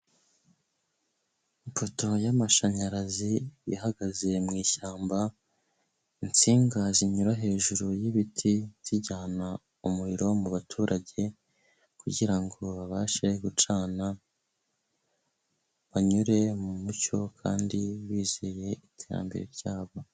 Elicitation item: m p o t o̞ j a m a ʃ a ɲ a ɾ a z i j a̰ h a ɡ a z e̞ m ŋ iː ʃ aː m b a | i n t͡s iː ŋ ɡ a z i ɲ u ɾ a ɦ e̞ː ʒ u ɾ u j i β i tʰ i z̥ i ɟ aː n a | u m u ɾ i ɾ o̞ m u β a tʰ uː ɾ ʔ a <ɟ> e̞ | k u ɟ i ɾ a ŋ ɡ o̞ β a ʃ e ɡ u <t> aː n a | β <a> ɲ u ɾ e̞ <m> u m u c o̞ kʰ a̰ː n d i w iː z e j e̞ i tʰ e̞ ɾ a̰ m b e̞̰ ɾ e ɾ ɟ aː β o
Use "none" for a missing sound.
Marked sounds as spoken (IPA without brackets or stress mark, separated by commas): ɟ, t͡ʃ, a, m